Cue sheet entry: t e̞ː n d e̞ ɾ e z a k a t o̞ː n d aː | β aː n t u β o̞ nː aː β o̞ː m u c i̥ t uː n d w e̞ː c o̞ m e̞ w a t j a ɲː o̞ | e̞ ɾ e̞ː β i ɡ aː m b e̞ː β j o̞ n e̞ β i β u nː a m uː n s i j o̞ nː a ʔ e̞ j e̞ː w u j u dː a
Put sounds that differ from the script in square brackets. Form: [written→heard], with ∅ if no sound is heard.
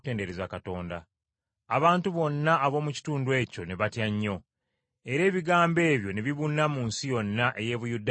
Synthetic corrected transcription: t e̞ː n d e̞ ɾ e z a k a t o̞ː n d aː | β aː n t u β o̞ nː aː β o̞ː m u c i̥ t uː n d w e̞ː c o̞ [m→n] e̞ [w→β] a t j a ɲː o̞ | e̞ ɾ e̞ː β i ɡ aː m b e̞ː β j o̞ n e̞ β i β u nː a m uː n s i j o̞ nː a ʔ e̞ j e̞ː [w→β] u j u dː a